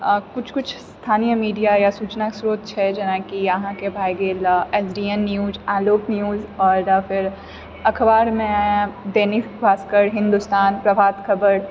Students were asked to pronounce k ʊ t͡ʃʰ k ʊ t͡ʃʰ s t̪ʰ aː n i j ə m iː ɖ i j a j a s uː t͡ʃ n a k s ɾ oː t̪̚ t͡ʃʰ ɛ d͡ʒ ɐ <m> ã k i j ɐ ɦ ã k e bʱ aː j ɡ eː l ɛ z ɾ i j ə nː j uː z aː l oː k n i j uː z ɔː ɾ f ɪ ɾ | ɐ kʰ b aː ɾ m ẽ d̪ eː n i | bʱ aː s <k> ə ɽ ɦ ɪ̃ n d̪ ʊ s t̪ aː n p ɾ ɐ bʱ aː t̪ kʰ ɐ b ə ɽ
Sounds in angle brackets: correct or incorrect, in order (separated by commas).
incorrect, correct